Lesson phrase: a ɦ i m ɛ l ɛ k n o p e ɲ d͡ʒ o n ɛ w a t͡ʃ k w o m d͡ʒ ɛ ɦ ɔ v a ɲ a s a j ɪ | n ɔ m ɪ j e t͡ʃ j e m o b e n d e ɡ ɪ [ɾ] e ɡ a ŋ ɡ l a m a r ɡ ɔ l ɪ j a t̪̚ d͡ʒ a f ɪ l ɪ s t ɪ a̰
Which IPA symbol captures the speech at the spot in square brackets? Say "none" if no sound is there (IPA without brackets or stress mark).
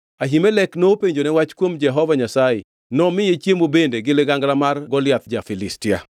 l